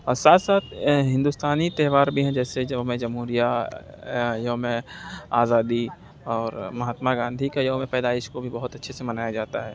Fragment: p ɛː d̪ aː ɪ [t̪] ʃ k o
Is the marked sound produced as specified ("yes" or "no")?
no